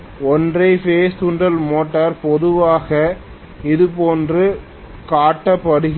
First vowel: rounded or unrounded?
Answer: rounded